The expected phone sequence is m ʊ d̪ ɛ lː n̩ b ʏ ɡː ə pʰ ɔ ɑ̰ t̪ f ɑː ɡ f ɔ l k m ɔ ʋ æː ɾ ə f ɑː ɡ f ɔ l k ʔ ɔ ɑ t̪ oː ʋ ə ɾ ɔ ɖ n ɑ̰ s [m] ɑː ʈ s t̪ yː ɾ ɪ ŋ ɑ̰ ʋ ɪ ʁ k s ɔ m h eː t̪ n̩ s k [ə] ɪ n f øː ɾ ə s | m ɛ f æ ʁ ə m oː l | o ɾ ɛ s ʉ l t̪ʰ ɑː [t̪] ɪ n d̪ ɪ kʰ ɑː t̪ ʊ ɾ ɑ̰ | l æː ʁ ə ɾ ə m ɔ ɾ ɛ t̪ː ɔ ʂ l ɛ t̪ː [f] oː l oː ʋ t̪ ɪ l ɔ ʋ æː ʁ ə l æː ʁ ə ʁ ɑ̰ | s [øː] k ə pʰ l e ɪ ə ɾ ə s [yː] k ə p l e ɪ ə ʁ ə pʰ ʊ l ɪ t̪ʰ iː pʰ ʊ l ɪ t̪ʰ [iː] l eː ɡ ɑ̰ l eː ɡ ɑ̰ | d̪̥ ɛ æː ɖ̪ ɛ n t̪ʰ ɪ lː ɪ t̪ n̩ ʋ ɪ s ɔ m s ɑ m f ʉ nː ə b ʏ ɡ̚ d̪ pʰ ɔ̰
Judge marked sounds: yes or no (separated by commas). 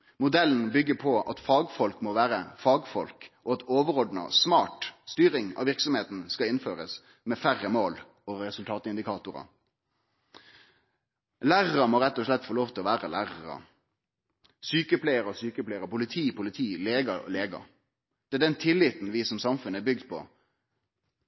yes, no, yes, yes, no, yes, yes